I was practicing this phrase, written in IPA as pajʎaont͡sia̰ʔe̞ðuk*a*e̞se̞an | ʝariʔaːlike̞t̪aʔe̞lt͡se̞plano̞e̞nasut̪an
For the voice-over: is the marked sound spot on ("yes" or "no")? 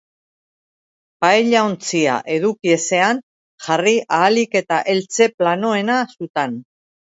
no